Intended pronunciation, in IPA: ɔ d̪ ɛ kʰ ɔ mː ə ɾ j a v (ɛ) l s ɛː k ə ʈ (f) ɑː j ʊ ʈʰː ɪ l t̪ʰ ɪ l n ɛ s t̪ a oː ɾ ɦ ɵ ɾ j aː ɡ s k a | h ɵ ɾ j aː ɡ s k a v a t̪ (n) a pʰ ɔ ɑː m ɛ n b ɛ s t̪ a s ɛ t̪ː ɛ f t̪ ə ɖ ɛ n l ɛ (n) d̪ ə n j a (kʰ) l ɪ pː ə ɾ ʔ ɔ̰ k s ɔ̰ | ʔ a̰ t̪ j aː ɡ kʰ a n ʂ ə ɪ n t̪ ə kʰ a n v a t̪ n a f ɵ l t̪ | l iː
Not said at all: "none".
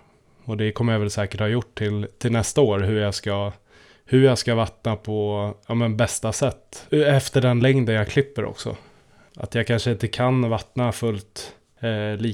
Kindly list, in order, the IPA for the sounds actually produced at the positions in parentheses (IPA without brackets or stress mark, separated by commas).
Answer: ɛ, h, n, ŋ, kʰ